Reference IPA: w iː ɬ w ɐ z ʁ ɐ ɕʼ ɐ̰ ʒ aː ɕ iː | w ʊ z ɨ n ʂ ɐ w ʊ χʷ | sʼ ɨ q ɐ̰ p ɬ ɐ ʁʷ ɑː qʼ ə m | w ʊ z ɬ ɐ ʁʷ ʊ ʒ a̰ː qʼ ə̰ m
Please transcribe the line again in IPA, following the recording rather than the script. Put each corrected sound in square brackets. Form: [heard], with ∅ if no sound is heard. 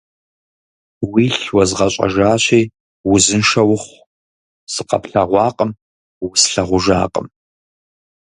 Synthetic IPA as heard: w iː ɬ w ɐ z ʁ ɐ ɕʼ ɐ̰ ʒ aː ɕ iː | w ʊ z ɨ n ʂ ɐ w ʊ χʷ | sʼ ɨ q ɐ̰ p ɬ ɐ ʁʷ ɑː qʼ ə m | w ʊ [s] ɬ ɐ ʁʷ ʊ ʒ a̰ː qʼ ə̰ m